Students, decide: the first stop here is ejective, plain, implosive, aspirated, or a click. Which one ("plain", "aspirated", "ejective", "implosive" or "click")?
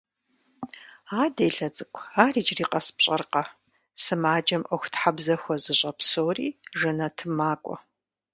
plain